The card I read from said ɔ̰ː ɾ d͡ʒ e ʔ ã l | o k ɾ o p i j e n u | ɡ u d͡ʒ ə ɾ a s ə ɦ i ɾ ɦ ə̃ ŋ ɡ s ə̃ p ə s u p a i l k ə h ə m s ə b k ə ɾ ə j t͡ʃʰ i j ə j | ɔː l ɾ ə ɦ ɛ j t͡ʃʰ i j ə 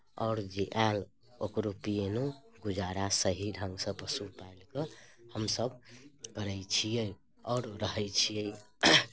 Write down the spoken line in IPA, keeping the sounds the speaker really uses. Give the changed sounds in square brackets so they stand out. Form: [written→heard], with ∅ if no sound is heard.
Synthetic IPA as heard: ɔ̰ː ɾ d͡ʒ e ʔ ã l | o k ɾ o p i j e n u | ɡ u d͡ʒ [ə→a] ɾ a s ə ɦ i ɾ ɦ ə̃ ŋ ɡ s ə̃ p ə s u p a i l k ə h ə m s ə b k ə ɾ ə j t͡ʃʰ i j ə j | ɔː [l→ɾ] ɾ ə ɦ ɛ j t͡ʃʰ i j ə